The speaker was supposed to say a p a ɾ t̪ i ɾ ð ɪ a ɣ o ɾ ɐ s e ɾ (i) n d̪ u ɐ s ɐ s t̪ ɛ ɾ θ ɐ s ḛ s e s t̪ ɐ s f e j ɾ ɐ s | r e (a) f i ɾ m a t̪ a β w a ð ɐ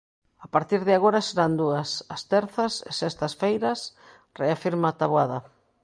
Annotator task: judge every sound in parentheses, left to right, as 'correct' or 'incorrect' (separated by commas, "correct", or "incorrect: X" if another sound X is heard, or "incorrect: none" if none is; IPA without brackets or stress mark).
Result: incorrect: a, correct